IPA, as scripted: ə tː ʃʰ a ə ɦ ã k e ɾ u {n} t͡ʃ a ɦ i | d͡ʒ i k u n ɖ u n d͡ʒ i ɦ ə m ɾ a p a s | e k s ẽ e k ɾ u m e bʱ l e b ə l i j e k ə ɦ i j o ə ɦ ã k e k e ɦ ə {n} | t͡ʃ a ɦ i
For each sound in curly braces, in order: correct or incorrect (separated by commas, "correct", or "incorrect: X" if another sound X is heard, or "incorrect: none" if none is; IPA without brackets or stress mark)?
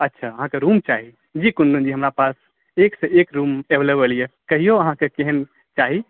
incorrect: m, correct